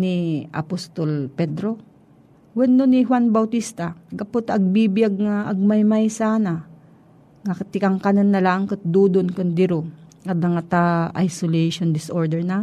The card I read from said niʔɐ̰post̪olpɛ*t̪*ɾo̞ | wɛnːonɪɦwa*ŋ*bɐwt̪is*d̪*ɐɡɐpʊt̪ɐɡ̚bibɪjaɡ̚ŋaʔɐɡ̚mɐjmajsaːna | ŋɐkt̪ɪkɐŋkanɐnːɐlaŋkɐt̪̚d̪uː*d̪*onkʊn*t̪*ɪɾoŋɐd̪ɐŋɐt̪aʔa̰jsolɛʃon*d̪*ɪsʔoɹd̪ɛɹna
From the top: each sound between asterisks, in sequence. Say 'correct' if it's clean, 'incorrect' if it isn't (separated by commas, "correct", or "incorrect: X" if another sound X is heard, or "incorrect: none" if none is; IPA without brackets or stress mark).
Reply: incorrect: d̪, incorrect: n, incorrect: t̪, correct, incorrect: d̪, correct